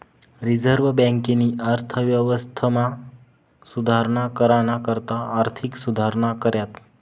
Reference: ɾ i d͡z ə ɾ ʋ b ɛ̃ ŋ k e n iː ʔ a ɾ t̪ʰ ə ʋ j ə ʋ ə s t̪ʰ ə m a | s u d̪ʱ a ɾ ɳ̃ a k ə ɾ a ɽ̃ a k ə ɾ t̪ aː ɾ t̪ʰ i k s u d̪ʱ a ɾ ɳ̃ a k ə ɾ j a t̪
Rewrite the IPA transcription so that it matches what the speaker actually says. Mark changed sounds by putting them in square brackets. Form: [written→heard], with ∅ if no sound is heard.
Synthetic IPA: ɾ i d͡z ə ɾ ʋ b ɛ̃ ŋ k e n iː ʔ a ɾ t̪ʰ ə ʋ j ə ʋ ə s t̪ʰ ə m a | s u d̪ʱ a ɾ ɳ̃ a k ə ɾ a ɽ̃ a k ə ɾ t̪ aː ɾ t̪ʰ i k s u d̪ʱ a ɾ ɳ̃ a k ə ɾ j a t̪

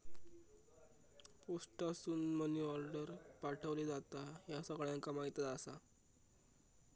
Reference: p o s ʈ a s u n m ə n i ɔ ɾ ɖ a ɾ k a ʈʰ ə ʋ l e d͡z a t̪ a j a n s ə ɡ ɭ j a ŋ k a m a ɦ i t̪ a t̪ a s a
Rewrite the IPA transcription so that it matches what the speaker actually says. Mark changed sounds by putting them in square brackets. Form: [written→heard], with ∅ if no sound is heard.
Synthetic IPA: p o s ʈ a s [u→uː] n m ə n i ɔ ɾ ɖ [a→ə] ɾ [k→p] a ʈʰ ə ʋ l e d͡z a t̪ a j a [n→∅] s ə ɡ ɭ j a ŋ k a m a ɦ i t̪ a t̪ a s a

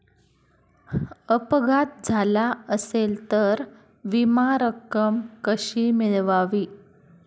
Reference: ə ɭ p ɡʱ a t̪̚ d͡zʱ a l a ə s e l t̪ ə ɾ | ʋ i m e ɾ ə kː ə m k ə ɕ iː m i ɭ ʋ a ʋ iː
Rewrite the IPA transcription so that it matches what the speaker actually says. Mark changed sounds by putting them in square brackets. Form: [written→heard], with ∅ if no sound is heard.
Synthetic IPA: ə [ɭ→∅] p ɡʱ a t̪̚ d͡zʱ a l a ə s e l t̪ ə ɾ | ʋ i m [e→a] ɾ ə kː ə m k ə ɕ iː m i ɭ ʋ a ʋ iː

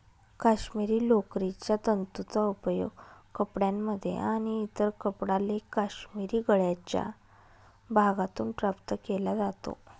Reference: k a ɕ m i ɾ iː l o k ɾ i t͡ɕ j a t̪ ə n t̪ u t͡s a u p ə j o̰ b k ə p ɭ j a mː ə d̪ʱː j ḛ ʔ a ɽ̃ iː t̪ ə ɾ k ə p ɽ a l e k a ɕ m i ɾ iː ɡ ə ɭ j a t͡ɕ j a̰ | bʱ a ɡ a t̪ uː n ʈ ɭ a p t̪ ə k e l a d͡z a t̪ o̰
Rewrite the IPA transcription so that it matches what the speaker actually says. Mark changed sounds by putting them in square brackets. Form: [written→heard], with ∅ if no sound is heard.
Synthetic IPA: k a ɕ m i ɾ iː l o k ɾ i t͡ɕ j a t̪ ə n t̪ u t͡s a u p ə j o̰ [b→ɡ] k ə p [ɭ→ɽ] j a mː ə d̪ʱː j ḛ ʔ a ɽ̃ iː t̪ ə ɾ k ə p ɽ a l e k a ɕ m i ɾ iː ɡ ə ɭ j a t͡ɕ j a̰ | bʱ a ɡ a t̪ uː n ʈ [ɭ→ɾ] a p t̪ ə k e l a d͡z a t̪ o̰

